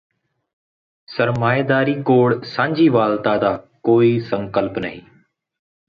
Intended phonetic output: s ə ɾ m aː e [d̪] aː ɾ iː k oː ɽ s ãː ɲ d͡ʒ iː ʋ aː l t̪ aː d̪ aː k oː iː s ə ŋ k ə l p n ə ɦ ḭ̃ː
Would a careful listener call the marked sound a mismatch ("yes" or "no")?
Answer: no